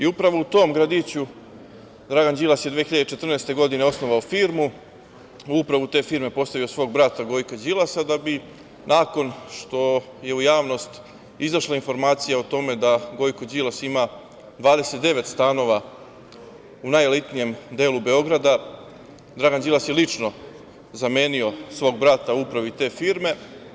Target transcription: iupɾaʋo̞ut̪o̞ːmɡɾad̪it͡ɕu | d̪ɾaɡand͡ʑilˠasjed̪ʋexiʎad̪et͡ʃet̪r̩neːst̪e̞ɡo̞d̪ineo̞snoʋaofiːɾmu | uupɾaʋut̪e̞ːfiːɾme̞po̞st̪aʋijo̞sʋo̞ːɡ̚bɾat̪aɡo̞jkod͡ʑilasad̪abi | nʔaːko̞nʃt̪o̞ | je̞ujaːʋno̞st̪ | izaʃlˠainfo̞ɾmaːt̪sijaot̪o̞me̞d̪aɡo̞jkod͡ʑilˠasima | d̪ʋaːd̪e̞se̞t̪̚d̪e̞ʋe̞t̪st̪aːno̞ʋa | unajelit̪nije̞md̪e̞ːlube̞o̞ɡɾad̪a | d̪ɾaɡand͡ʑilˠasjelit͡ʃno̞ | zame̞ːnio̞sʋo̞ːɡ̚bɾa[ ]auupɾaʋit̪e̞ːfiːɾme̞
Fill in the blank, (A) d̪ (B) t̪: B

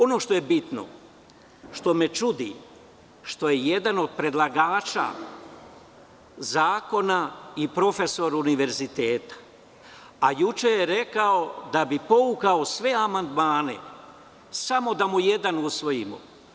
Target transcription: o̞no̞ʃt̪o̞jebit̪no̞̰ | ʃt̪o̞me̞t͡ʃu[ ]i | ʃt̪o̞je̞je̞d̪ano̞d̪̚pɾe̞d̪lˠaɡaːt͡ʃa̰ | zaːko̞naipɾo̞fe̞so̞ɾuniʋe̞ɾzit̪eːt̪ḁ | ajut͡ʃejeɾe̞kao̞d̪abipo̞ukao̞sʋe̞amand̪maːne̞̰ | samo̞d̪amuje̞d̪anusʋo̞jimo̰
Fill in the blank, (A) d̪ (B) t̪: A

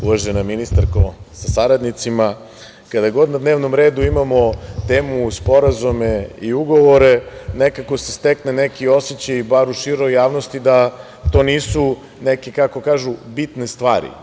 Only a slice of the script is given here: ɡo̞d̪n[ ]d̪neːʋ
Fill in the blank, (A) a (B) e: A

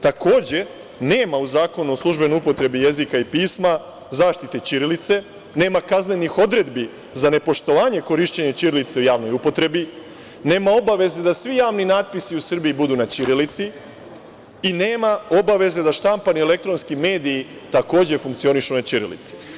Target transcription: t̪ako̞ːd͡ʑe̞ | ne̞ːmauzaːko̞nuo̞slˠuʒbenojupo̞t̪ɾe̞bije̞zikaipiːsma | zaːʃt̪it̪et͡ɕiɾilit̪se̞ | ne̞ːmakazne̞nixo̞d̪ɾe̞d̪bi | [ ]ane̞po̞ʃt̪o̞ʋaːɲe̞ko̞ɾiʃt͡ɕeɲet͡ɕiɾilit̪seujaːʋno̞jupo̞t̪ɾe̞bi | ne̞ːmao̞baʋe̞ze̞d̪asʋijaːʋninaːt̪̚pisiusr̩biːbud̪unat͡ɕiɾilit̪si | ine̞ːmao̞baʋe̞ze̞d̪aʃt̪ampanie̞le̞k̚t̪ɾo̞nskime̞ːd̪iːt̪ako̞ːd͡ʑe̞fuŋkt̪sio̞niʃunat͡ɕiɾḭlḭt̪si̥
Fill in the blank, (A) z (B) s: A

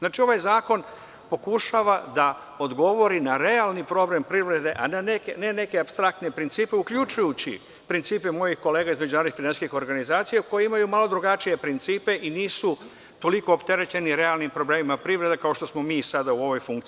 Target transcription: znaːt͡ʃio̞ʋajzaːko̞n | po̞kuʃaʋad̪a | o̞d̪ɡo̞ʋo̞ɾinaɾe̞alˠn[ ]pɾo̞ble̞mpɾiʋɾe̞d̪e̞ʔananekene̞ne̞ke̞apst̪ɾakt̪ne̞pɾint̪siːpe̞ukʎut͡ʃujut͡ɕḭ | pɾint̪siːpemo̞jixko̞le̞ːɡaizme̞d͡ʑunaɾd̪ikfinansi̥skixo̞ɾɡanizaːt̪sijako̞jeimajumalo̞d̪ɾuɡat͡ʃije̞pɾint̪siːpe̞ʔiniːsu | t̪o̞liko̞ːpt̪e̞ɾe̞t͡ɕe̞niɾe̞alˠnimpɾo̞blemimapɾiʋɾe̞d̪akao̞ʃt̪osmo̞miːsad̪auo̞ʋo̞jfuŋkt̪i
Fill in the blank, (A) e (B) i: B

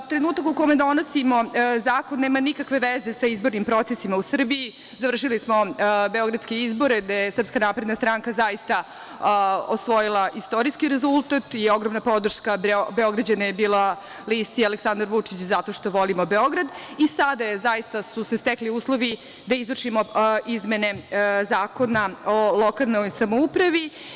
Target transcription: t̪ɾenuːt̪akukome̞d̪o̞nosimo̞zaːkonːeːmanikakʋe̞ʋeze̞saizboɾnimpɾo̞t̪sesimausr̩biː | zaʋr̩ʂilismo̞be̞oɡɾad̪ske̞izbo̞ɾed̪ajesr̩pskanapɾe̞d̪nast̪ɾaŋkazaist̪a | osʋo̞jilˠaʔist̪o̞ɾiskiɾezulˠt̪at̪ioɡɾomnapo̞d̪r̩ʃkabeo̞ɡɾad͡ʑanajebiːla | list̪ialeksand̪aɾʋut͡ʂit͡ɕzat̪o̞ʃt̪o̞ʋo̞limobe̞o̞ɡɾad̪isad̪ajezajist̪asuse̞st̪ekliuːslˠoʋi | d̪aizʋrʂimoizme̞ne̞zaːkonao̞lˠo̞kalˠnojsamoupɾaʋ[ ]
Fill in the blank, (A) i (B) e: A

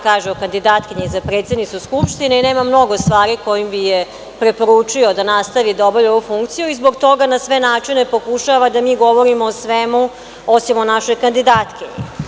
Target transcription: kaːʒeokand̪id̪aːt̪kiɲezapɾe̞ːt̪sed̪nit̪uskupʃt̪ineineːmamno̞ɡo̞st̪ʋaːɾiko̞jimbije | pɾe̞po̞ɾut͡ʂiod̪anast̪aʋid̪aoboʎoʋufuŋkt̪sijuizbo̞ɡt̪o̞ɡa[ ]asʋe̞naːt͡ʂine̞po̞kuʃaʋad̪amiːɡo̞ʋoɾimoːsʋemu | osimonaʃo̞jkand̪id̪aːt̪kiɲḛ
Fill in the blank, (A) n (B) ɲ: A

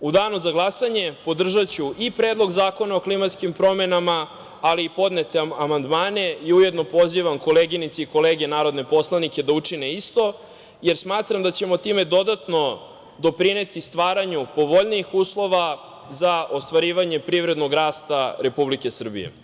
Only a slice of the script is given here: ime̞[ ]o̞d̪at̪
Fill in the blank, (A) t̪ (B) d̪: B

